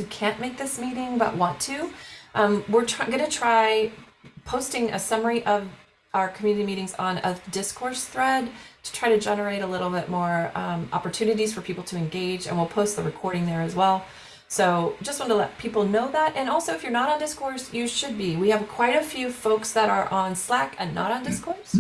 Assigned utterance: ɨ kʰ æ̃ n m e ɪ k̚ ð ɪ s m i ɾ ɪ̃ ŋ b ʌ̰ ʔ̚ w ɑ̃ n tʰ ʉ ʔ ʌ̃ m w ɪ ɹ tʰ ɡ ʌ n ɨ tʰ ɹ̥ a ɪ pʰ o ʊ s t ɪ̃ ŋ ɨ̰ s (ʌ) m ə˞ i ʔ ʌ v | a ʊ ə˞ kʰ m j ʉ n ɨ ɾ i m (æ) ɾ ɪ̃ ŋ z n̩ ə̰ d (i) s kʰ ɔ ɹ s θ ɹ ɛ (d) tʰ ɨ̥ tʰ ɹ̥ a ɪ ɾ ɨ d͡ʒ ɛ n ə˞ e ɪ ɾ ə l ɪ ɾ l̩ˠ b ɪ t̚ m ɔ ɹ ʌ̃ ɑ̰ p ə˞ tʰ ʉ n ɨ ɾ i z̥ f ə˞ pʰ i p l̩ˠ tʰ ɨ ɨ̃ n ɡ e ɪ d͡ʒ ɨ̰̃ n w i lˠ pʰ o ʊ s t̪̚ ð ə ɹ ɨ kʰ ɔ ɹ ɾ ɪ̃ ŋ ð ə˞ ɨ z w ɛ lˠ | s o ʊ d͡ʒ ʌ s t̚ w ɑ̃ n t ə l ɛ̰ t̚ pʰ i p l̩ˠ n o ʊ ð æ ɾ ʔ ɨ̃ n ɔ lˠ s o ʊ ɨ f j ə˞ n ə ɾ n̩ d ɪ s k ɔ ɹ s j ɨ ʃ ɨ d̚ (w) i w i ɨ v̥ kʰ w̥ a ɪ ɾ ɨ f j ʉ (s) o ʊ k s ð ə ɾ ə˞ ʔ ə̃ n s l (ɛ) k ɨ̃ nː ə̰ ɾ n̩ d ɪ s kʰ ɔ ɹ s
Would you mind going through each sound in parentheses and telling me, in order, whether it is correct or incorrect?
correct, incorrect: i, incorrect: ɪ, correct, incorrect: b, incorrect: f, incorrect: æ

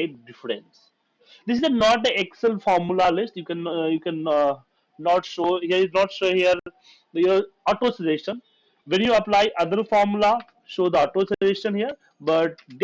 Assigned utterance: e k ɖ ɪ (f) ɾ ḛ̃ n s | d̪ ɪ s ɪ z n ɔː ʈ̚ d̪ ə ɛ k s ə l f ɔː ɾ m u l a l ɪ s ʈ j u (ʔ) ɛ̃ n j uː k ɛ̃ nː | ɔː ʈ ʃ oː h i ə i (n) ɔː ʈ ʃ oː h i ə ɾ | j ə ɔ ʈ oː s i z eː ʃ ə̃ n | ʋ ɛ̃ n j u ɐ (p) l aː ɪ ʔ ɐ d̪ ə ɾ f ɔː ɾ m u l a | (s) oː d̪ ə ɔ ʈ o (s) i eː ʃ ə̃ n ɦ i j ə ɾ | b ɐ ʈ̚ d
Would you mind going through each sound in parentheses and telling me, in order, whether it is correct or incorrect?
correct, incorrect: k, correct, correct, incorrect: ʃ, correct

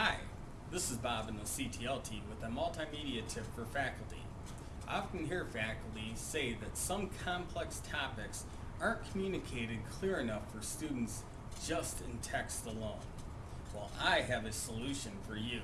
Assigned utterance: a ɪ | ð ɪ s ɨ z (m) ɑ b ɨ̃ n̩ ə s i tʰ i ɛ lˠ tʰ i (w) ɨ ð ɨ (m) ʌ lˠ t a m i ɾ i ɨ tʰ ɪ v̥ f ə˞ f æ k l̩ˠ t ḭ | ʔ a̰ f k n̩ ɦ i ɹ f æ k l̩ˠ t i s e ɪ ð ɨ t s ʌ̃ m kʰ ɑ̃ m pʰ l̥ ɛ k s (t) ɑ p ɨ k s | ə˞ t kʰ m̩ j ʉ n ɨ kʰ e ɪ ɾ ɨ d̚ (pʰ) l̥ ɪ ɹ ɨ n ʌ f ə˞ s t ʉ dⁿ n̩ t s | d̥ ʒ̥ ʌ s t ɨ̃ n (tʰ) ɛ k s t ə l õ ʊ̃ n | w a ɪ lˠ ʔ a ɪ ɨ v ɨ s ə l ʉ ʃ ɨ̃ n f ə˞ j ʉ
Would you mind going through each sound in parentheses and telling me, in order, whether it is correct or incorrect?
incorrect: b, correct, correct, incorrect: tʰ, incorrect: kʰ, correct

